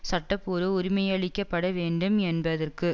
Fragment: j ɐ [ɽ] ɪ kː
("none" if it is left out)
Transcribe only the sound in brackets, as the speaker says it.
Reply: ɭ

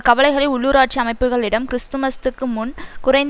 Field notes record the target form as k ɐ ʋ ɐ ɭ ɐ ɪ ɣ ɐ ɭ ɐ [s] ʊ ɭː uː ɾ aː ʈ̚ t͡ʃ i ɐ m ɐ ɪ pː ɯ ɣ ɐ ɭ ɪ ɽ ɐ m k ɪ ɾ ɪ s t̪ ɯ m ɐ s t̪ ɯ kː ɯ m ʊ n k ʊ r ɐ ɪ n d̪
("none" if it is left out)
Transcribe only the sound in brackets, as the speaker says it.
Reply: none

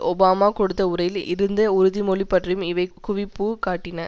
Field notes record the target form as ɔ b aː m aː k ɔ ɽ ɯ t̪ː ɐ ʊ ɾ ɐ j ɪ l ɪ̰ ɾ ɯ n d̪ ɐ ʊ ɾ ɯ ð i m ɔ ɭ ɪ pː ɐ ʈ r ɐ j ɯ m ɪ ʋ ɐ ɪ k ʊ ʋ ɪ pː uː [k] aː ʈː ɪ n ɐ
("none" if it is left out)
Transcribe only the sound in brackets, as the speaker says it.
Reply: k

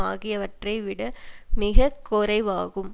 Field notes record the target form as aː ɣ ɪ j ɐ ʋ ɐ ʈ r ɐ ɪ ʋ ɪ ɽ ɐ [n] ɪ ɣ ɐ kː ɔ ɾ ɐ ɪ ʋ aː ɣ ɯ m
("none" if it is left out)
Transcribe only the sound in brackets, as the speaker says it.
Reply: m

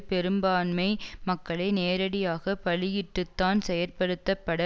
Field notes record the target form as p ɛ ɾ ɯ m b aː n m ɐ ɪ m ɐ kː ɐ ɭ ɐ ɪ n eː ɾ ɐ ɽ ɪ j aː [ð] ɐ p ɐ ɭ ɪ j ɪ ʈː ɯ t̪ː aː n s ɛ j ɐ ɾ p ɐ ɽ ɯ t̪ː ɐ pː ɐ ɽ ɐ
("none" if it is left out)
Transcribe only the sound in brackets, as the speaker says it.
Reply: ɣ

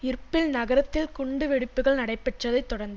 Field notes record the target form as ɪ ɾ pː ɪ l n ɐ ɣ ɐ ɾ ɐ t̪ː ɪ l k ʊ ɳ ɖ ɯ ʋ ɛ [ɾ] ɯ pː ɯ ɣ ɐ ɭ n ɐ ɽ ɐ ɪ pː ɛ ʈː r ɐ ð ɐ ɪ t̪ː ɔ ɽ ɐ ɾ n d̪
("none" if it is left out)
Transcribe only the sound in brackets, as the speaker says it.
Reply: ɽ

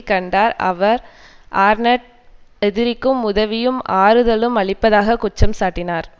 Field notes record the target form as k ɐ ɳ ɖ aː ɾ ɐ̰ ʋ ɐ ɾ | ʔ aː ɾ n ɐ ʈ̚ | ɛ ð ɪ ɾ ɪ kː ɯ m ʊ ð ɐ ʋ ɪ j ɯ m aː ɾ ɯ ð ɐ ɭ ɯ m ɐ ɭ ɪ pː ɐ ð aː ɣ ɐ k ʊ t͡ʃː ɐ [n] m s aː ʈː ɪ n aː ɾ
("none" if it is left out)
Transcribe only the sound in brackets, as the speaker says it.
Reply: none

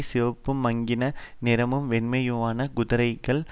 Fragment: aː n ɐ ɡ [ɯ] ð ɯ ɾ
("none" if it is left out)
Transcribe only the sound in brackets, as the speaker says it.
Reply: ʊ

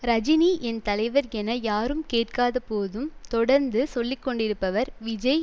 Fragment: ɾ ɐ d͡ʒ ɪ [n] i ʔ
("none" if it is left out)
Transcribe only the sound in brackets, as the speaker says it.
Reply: n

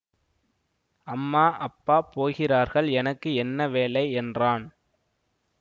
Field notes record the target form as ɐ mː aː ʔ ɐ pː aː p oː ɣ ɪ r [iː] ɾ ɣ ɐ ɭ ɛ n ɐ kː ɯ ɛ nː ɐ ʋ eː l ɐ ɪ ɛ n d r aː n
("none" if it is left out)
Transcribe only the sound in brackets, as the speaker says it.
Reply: aː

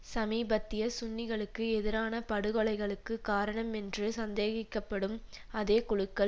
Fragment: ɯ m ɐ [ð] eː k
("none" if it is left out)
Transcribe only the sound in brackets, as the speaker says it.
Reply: ð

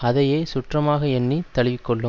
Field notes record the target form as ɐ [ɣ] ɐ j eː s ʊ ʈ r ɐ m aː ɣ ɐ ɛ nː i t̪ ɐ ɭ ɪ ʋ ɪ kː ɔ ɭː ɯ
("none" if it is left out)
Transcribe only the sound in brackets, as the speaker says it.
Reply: ð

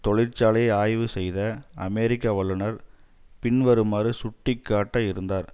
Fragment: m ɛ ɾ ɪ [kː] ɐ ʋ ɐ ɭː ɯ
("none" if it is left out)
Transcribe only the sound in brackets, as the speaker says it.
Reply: kː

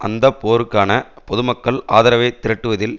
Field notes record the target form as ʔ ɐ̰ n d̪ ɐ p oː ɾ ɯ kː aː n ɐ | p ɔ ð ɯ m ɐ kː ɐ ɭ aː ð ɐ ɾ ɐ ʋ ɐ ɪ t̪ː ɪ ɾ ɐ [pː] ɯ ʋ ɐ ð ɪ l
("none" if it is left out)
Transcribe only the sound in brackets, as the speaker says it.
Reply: ʈː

